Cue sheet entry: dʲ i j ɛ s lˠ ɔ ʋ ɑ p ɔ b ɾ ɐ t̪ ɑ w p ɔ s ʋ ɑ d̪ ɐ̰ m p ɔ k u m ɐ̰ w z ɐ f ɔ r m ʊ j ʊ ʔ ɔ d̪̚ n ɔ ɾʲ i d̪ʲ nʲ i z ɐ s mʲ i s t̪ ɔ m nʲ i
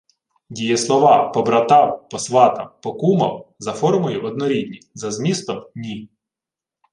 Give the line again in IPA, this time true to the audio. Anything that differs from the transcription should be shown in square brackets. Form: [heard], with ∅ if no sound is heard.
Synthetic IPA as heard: dʲ i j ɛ s lˠ ɔ ʋ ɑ p ɔ b ɾ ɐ t̪ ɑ w p ɔ s ʋ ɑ [t̪] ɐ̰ m p ɔ k u m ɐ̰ w z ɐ f ɔ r m ʊ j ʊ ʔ ɔ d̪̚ n ɔ ɾʲ i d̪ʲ nʲ i z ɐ [z] mʲ i s t̪ ɔ m nʲ i

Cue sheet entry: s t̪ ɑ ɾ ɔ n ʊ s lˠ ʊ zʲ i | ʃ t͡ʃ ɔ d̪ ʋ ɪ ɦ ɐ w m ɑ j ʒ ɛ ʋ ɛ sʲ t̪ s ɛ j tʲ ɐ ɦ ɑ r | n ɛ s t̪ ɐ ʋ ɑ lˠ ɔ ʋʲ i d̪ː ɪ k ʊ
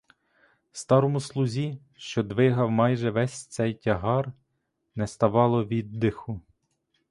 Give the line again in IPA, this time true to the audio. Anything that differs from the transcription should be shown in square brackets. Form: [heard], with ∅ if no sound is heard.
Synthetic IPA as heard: s t̪ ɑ ɾ ɔ [m] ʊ s lˠ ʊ zʲ i | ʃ t͡ʃ ɔ d̪ ʋ ɪ ɦ ɐ w m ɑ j ʒ ɛ ʋ ɛ sʲ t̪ s ɛ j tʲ ɐ ɦ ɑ r | n ɛ s t̪ ɐ ʋ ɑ lˠ ɔ ʋʲ i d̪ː ɪ [x] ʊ

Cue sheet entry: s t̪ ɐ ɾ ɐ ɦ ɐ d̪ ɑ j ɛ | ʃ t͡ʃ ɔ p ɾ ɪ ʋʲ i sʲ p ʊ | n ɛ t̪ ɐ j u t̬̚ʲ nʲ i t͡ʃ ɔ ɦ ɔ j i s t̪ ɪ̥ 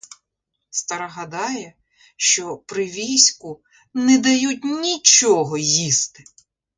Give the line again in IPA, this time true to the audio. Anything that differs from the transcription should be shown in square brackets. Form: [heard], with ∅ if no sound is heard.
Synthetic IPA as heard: s t̪ ɐ ɾ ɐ ɦ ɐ d̪ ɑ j ɛ | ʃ t͡ʃ ɔ p ɾ ɪ ʋʲ i sʲ [k] ʊ | n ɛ [d̪] ɐ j u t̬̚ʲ nʲ i t͡ʃ ɔ ɦ ɔ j i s t̪ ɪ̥

